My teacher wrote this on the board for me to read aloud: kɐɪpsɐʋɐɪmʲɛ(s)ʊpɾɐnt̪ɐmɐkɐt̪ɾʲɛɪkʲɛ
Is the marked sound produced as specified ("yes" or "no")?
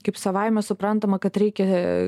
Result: yes